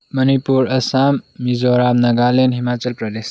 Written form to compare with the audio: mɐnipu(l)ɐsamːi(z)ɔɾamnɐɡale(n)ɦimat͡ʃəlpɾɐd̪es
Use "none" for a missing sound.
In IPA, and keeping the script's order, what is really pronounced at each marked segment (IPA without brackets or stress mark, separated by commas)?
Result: ɾ, z, n